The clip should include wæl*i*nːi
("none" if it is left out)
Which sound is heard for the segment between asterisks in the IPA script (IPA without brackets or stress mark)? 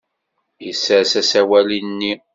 i